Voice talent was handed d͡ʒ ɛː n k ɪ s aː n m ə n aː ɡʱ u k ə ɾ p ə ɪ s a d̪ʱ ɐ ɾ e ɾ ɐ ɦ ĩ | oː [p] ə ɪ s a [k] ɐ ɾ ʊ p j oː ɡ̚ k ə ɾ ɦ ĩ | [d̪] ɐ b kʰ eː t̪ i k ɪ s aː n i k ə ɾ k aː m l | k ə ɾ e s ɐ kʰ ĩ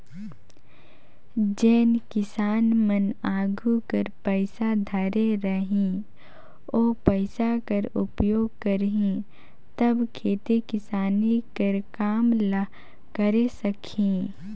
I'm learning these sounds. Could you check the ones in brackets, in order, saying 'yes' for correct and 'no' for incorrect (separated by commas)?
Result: yes, yes, no